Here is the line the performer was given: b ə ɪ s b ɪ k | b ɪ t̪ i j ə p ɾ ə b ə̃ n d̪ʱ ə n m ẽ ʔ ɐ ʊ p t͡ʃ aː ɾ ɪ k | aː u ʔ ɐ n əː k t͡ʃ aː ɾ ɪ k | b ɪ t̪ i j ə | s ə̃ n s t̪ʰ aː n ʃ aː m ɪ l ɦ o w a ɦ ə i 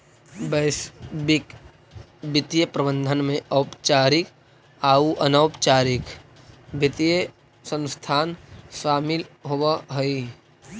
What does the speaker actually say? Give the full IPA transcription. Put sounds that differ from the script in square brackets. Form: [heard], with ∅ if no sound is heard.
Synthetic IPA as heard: b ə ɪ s b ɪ k | b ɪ t̪ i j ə p ɾ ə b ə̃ n d̪ʱ ə n m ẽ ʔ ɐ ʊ p t͡ʃ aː ɾ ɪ k | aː u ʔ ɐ n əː [p] t͡ʃ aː ɾ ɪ k | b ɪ t̪ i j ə | s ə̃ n s t̪ʰ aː n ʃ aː m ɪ l ɦ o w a ɦ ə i